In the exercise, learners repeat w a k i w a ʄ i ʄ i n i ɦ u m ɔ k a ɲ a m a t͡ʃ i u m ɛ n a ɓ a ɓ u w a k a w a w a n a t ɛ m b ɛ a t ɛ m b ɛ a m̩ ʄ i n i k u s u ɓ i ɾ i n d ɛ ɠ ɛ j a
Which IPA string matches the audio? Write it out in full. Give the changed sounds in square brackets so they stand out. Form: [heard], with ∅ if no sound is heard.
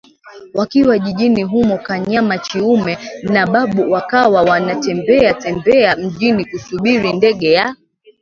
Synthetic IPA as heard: w a k i w a ʄ i ʄ i n i ɦ u m ɔ k a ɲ a m a t͡ʃ i u m ɛ n a ɓ a ɓ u w a k a w a w a n a t ɛ m b ɛ a t ɛ m b ɛ a m̩ ʄ i n i k u s u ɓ i ɾ i n d ɛ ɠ ɛ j a